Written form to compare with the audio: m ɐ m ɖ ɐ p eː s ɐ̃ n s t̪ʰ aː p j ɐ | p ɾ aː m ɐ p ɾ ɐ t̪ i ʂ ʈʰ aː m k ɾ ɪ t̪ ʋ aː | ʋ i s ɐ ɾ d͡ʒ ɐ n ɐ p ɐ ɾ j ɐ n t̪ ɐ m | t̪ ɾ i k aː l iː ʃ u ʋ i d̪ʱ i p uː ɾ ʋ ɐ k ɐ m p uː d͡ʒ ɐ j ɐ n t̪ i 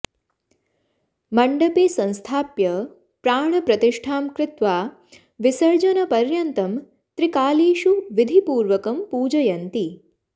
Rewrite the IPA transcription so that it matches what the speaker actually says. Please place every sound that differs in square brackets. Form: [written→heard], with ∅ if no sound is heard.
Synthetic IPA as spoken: m ɐ [m→ɳ] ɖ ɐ p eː s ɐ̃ n s t̪ʰ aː p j ɐ | p ɾ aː [m→ɳ] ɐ p ɾ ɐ t̪ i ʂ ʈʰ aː m k ɾ ɪ t̪ ʋ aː | ʋ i s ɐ ɾ d͡ʒ ɐ n ɐ p ɐ ɾ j ɐ n t̪ ɐ m | t̪ ɾ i k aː l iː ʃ u ʋ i d̪ʱ i p uː ɾ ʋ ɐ k ɐ m p uː d͡ʒ ɐ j ɐ n t̪ i